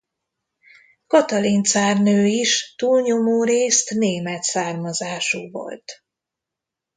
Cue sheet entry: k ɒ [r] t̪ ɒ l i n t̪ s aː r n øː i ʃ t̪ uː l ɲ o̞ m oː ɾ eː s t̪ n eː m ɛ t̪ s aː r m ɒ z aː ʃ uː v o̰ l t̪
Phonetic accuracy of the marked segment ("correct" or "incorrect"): incorrect